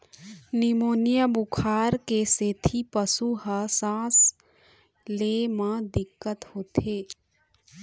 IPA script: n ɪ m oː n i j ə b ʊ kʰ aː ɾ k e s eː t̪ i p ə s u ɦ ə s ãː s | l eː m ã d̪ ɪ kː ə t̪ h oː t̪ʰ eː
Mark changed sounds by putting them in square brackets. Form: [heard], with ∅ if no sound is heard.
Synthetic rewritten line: n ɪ m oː n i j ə b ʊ kʰ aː ɾ k e s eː [t̪ʰ] i p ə s u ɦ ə s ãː s | l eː m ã d̪ ɪ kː ə t̪ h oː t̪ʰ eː